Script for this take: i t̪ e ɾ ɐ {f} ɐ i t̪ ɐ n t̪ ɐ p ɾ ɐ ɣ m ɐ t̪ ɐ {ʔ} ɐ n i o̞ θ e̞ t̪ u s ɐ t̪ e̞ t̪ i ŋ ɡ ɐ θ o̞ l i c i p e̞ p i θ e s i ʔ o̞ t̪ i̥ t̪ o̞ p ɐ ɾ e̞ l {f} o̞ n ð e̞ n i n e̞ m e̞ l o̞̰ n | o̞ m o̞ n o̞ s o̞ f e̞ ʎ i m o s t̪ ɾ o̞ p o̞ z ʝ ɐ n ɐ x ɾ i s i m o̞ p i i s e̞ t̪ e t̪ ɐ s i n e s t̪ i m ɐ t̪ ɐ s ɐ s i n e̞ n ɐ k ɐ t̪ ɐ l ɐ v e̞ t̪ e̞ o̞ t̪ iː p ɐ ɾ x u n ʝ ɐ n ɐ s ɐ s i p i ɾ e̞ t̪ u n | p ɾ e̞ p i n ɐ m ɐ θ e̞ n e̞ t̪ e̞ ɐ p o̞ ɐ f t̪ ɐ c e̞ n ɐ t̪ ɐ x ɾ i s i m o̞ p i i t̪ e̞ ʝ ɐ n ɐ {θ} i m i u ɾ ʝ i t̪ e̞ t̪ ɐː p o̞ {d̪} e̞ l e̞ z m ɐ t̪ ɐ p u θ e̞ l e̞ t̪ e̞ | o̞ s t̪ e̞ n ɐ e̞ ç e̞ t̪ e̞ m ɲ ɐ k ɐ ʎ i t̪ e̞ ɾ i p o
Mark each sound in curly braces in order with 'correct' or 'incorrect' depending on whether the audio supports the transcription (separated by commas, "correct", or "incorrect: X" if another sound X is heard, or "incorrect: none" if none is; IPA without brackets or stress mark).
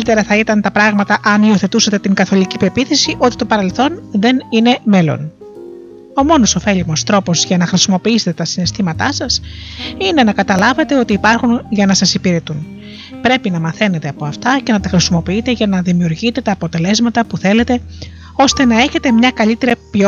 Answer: incorrect: θ, correct, incorrect: θ, incorrect: ð, incorrect: t̪